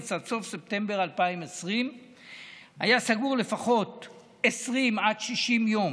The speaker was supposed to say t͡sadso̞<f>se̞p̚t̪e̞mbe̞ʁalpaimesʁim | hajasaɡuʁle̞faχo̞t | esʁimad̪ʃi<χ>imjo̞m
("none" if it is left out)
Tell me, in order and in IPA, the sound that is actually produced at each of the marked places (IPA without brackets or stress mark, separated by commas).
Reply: f, ʃ